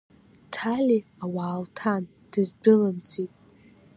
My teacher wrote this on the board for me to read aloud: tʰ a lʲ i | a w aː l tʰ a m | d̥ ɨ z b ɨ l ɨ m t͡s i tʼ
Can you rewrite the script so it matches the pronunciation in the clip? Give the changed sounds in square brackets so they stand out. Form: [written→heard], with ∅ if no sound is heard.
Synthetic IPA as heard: tʰ a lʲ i | a w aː l tʰ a [m→n] | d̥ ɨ z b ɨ l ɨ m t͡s i tʼ